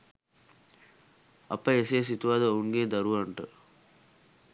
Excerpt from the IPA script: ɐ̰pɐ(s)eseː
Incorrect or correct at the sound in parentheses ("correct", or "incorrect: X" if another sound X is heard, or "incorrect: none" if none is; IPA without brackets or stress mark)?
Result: incorrect: none